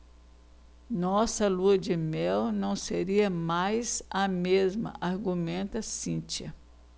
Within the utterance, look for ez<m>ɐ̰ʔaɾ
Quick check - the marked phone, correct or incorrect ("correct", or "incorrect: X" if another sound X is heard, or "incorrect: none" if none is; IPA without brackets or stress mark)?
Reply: correct